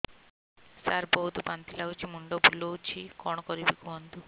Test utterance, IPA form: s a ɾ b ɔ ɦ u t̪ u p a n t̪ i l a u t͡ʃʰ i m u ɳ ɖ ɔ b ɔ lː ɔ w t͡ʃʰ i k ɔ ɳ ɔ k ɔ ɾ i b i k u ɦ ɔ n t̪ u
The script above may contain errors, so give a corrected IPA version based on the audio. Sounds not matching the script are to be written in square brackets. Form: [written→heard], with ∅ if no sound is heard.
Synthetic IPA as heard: s a ɾ b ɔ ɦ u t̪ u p a n t̪ i l a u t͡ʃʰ i m u ɳ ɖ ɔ b [ɔ→u] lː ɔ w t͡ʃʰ i k ɔ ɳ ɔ k ɔ ɾ i b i k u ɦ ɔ n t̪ u